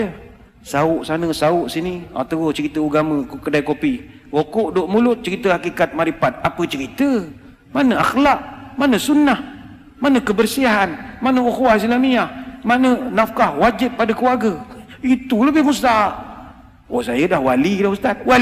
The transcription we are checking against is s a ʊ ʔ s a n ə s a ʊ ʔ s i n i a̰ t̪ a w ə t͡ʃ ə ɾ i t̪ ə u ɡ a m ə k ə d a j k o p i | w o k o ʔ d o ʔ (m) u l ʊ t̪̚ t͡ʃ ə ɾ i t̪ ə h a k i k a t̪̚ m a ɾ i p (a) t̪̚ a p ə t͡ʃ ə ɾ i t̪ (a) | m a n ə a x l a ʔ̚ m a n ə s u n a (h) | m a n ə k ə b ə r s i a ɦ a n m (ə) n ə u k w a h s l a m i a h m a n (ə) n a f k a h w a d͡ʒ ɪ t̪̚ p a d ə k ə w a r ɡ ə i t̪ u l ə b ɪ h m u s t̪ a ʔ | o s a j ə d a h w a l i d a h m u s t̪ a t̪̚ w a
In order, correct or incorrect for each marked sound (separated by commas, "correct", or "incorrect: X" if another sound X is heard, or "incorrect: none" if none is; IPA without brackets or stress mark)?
correct, correct, incorrect: ə, correct, incorrect: a, correct